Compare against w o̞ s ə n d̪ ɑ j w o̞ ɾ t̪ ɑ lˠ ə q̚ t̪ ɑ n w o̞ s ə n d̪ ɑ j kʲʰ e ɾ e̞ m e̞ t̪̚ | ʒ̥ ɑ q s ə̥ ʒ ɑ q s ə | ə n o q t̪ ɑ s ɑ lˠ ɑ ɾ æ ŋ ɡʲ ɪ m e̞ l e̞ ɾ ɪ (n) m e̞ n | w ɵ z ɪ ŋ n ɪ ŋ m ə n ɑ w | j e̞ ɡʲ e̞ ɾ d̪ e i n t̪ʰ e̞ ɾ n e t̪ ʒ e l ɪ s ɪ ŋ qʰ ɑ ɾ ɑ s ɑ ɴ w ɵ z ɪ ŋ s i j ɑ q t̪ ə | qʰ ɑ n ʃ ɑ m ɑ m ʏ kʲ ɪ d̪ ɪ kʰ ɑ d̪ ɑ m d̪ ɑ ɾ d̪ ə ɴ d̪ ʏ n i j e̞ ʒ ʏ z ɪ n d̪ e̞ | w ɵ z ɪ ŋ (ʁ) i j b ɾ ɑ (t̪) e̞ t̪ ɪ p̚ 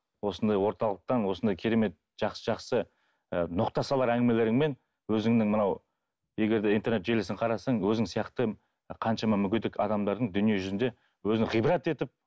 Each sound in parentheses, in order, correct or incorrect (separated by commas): incorrect, correct, correct